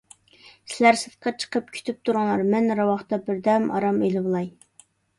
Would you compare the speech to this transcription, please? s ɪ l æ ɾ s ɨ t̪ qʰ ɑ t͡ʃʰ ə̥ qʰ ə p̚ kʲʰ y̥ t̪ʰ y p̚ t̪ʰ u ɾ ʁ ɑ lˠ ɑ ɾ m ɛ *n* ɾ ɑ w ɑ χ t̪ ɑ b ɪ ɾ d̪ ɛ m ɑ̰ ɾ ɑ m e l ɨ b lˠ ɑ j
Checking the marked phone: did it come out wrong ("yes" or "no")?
no